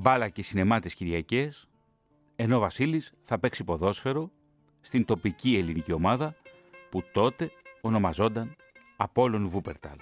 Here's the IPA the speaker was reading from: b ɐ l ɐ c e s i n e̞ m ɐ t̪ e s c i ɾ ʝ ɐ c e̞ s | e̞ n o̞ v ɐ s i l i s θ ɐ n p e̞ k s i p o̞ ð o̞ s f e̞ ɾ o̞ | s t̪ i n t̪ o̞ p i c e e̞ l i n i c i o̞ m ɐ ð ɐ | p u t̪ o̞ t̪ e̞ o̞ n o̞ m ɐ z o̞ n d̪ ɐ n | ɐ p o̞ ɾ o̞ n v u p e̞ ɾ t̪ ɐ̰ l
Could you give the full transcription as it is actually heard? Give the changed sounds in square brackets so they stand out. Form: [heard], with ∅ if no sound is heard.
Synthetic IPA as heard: b ɐ l ɐ c e s i n e̞ m ɐ t̪ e s c i ɾ ʝ ɐ c e̞ s | e̞ n o̞ v ɐ s i l i s θ ɐ [∅] p e̞ k s i p o̞ ð o̞ s f e̞ ɾ o̞ | s t̪ i n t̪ o̞ p i c [i] e̞ l i n i c i o̞ m ɐ ð ɐ | p u t̪ o̞ t̪ e̞ o̞ n o̞ m ɐ z o̞ n d̪ ɐ n | ɐ p o̞ [l] o̞ n v u p e̞ ɾ t̪ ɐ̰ l